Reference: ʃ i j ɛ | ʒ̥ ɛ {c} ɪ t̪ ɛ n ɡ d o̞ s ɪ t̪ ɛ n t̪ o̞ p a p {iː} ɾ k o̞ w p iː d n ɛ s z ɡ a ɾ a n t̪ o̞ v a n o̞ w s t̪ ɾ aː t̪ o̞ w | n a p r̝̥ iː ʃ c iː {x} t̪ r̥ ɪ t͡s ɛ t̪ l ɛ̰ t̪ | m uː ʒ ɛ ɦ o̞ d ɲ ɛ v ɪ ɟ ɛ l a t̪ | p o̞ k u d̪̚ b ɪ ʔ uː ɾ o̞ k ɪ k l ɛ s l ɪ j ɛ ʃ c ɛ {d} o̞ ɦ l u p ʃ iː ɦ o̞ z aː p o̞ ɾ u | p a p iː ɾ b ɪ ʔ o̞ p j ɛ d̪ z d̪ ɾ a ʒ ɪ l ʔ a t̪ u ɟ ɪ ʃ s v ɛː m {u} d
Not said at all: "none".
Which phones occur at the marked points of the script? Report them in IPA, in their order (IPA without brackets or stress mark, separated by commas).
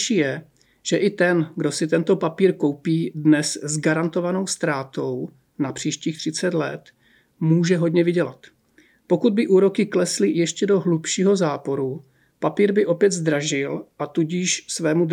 ʔ, iː, x, d, u